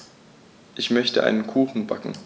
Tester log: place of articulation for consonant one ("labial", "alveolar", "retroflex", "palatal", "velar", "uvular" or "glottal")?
glottal